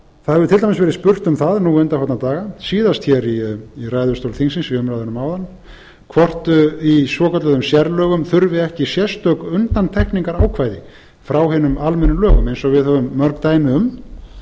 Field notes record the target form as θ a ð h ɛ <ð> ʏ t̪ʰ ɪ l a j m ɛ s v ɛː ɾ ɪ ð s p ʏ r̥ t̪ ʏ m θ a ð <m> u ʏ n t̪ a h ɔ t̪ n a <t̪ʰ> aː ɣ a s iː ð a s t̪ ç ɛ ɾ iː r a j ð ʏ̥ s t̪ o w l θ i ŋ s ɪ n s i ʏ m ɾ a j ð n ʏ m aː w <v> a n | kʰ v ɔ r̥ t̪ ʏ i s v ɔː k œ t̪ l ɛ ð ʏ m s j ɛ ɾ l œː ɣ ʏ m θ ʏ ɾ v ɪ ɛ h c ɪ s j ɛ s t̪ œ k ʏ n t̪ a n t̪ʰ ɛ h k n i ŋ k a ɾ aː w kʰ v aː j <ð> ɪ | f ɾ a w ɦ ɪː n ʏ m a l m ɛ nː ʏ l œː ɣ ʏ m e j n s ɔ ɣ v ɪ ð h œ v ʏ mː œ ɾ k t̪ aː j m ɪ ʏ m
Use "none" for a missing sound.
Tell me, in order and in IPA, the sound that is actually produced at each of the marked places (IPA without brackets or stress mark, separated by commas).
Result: v, n, t̪, ð, ð